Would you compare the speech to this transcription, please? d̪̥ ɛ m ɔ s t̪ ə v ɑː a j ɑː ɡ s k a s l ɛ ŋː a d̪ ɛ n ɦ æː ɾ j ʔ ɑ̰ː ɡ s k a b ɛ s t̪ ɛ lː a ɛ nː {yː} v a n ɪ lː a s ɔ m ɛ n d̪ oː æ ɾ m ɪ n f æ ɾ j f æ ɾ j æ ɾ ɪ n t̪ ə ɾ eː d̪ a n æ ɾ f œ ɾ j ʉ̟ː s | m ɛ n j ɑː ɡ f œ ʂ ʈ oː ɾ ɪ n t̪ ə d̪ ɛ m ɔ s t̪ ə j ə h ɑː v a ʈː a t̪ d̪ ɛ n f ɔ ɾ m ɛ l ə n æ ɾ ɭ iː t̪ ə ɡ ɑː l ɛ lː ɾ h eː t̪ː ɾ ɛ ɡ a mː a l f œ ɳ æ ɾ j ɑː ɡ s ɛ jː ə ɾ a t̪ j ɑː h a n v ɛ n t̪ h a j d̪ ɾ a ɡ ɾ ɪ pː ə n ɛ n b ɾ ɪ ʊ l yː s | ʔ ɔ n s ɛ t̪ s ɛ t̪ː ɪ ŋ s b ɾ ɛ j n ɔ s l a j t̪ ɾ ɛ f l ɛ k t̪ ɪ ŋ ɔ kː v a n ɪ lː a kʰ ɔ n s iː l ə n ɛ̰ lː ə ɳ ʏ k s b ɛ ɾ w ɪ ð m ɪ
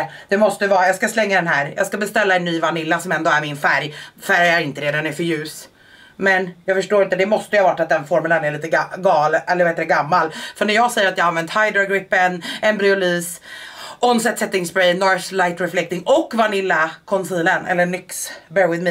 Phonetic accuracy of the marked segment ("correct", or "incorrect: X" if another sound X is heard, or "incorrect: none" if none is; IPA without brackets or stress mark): correct